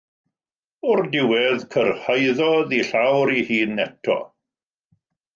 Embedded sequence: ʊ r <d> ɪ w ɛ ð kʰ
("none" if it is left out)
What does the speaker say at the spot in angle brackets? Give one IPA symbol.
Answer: d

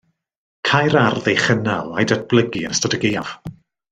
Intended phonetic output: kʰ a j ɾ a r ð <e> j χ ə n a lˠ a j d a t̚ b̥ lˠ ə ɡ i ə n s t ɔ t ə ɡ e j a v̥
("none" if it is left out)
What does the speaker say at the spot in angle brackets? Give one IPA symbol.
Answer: e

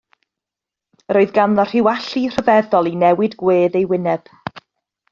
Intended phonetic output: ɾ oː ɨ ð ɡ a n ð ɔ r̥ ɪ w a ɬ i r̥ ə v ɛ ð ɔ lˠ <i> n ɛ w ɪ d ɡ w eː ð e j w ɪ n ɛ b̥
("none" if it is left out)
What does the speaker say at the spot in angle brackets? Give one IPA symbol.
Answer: i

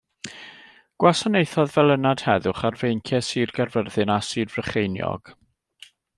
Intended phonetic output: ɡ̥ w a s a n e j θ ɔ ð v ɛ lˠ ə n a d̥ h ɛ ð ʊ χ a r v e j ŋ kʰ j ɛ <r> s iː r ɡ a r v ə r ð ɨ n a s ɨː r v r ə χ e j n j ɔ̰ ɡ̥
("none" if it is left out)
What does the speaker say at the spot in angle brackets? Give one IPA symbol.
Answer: none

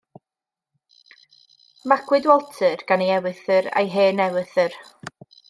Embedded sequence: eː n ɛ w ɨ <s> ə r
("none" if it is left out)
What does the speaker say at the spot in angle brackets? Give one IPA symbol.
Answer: θ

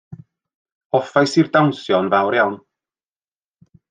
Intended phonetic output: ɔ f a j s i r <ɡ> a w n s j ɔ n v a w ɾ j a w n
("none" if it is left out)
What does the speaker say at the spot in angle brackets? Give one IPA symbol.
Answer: d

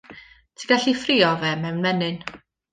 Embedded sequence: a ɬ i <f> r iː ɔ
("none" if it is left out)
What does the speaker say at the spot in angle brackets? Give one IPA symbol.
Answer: f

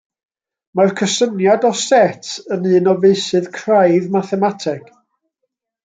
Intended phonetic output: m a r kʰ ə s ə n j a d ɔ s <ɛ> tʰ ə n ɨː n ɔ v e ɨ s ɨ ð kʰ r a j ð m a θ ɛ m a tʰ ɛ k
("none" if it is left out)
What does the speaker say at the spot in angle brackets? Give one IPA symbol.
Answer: ɛ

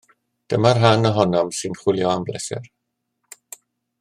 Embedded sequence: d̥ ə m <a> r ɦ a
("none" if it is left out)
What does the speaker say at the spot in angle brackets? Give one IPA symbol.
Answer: a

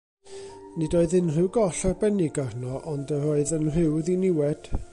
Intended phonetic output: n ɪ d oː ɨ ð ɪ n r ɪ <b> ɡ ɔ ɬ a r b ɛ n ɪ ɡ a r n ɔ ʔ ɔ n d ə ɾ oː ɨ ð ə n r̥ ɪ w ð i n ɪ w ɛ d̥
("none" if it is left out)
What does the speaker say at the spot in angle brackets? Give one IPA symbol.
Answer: w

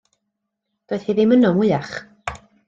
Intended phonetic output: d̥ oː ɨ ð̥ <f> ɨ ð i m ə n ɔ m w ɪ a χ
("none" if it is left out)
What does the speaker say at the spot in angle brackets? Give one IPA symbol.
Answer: h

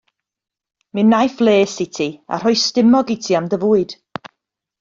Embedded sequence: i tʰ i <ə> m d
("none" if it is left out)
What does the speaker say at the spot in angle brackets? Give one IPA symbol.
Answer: a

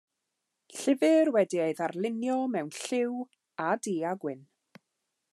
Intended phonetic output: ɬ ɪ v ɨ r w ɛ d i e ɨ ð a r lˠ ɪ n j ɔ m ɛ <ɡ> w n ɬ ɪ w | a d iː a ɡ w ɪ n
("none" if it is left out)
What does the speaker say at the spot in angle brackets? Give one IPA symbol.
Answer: none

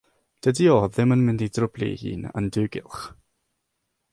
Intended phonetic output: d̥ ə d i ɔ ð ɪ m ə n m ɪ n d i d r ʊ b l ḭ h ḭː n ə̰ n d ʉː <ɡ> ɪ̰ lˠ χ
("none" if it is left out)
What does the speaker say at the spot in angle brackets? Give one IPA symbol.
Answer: ɡ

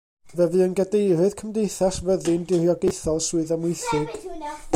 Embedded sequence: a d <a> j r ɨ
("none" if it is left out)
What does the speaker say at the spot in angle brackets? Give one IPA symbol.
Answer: e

